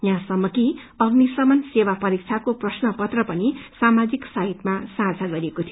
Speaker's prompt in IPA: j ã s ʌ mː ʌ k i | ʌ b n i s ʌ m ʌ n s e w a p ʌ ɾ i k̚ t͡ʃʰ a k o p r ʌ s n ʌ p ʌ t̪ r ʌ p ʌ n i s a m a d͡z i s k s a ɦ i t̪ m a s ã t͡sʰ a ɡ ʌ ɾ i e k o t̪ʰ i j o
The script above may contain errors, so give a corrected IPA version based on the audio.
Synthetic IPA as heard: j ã s ʌ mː ʌ k i | ʌ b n i s ʌ m ʌ n s e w a p ʌ ɾ i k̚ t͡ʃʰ a k o p r ʌ s n ʌ p ʌ t̪ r ʌ p ʌ n i s a m a d͡z i k s a ɦ i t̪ m a s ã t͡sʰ a ɡ ʌ ɾ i e k o t̪ʰ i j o